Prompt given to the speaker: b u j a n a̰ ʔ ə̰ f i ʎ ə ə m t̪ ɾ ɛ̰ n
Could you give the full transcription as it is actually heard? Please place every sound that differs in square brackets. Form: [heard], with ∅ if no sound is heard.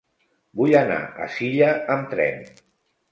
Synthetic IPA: b u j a n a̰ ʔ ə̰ [s] i ʎ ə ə m t̪ ɾ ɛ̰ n